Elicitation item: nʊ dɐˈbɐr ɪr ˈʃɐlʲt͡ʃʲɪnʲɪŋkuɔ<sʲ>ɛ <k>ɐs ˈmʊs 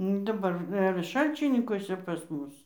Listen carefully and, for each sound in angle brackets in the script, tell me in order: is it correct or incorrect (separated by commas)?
correct, incorrect